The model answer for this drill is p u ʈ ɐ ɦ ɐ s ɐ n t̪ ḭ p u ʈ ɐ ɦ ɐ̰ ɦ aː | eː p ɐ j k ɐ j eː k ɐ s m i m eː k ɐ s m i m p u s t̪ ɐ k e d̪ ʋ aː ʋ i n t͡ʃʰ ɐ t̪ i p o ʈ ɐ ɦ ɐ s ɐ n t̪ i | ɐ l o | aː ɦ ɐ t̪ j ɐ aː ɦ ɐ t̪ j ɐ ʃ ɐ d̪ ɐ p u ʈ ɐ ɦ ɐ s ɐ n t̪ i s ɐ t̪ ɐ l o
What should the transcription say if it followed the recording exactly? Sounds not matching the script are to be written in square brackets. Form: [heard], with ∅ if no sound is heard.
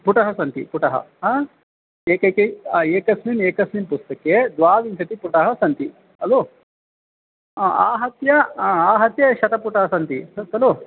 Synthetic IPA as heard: p u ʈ ɐ ɦ ɐ s ɐ n t̪ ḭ p u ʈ ɐ ɦ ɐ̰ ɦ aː | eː [k] ɐ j k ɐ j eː k ɐ s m i m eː k ɐ s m i m p u s t̪ ɐ k e d̪ ʋ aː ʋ i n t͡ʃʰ ɐ t̪ i p [u] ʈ ɐ ɦ ɐ s ɐ n t̪ i | ɐ l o | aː ɦ ɐ t̪ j ɐ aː ɦ ɐ t̪ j ɐ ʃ ɐ [t̪] ɐ p u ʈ ɐ ɦ ɐ s ɐ n t̪ i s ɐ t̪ ɐ l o